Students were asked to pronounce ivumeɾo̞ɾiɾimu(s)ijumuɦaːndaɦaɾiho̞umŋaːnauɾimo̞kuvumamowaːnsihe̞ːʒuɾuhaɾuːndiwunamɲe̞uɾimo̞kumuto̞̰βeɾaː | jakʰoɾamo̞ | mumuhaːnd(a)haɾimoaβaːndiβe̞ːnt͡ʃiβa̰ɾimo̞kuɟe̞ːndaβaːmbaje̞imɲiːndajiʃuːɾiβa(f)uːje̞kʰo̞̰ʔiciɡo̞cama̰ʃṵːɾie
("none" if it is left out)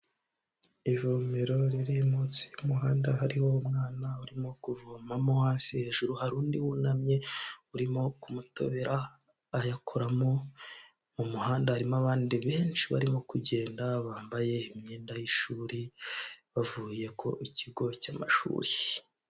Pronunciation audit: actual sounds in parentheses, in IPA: t͡s, a, v

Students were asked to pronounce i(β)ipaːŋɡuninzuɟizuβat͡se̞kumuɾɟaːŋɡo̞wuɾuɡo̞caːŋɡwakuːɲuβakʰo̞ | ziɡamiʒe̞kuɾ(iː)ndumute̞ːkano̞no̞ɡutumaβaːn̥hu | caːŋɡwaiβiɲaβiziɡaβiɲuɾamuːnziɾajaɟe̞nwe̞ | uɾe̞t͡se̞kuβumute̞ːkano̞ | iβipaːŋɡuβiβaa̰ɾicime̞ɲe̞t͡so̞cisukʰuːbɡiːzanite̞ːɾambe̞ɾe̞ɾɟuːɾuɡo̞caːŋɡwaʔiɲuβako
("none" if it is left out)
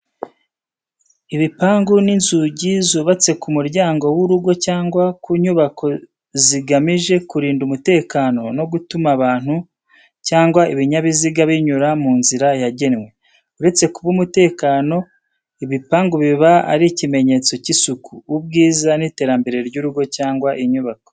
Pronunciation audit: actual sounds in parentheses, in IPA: β, iː

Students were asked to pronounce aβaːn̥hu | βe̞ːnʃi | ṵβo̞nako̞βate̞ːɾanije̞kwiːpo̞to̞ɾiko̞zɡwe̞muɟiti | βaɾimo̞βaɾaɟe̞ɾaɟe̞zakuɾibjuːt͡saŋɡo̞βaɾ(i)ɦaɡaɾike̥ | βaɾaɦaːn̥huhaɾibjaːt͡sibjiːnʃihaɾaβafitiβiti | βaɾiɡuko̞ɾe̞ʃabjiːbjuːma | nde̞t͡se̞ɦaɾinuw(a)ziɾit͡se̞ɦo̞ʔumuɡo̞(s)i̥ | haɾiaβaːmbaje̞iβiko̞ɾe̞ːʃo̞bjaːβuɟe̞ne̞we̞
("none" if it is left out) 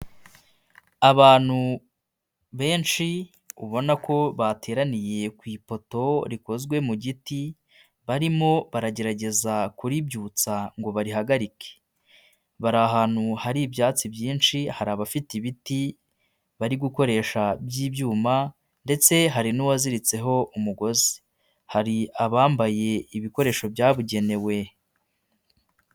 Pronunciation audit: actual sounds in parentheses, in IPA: i, a, z

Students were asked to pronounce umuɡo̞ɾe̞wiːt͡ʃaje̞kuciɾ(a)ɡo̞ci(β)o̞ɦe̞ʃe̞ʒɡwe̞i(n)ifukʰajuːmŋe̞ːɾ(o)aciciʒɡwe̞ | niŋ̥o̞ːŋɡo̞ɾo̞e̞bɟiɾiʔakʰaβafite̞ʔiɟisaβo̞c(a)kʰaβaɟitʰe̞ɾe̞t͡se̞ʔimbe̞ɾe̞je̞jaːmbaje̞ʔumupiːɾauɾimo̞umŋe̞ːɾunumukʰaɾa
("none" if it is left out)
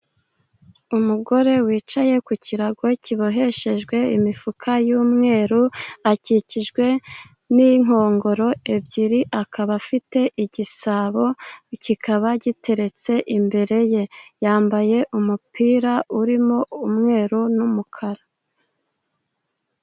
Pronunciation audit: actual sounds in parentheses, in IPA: a, β, m, u, i

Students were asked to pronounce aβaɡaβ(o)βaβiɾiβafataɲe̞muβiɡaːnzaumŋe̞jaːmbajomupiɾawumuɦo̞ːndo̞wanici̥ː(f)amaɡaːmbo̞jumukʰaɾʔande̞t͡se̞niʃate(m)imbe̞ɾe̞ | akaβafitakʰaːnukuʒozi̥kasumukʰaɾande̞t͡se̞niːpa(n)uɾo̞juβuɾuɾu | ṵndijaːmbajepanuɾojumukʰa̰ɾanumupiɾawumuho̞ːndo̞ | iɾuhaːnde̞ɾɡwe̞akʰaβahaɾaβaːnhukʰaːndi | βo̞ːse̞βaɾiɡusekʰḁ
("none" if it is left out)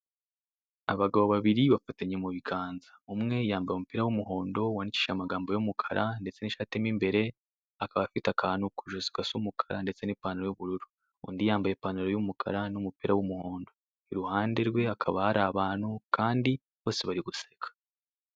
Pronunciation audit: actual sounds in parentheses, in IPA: o, ʃ, m, n

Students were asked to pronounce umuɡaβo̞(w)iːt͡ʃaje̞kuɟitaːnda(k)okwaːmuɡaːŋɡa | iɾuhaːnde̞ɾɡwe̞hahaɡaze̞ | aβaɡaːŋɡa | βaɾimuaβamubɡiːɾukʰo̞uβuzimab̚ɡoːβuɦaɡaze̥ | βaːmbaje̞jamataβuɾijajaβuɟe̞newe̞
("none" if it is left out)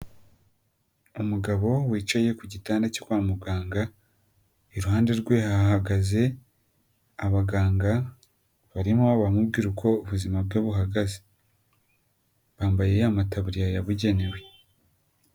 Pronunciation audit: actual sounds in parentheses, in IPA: w, c

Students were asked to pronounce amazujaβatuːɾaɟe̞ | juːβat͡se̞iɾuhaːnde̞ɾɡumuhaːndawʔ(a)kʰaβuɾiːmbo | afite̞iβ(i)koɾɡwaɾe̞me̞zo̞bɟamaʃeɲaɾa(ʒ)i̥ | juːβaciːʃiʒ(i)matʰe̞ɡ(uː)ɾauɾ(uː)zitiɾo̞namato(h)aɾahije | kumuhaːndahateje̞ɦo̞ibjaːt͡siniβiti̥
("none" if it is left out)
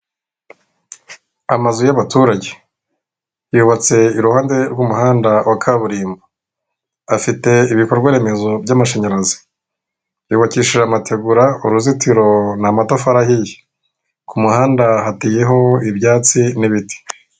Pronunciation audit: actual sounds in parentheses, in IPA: a, i, z, a, u, u, f

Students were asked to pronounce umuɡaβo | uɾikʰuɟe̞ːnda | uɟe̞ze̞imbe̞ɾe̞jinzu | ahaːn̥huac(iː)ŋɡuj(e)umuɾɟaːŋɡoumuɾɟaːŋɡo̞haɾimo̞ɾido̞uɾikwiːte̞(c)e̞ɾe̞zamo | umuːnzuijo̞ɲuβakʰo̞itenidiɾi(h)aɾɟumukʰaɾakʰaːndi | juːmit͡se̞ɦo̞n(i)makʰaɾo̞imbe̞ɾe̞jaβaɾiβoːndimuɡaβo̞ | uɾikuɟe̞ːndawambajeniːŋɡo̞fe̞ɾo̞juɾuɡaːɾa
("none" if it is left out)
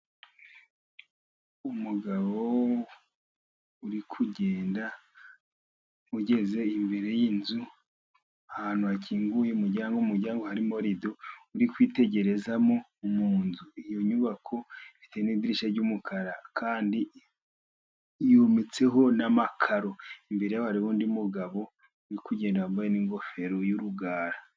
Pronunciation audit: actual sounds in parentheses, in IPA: iː, e, ɟ, ʃ, a

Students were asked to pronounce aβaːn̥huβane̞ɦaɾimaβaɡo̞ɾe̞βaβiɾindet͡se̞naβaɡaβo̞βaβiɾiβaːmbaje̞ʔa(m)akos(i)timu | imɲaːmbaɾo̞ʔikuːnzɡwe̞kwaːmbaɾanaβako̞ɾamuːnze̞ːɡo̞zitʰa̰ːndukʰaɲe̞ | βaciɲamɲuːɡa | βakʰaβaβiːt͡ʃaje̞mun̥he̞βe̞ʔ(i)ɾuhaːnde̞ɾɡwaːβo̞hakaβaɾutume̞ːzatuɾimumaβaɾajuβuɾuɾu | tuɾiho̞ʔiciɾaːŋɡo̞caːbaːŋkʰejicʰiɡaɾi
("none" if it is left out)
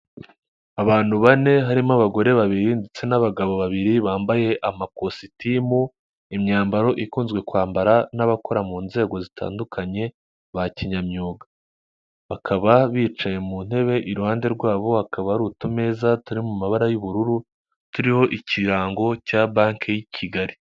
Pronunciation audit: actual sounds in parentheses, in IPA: m, i, i

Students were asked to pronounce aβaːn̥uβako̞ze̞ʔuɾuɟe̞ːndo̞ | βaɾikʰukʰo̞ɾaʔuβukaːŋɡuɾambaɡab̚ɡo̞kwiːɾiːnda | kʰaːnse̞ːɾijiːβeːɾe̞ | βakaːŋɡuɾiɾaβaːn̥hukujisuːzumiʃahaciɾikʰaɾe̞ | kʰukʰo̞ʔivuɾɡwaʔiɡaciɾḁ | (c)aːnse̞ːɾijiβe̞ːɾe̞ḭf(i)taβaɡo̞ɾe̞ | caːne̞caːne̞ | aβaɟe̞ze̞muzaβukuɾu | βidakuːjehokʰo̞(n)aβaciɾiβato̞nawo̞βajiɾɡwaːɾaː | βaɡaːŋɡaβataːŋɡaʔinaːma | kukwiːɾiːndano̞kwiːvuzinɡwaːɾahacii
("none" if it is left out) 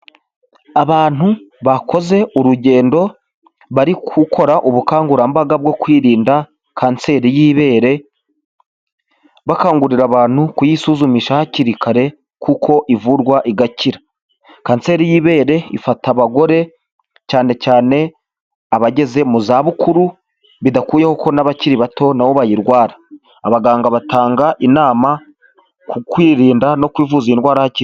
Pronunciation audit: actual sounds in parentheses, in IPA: k, a, n

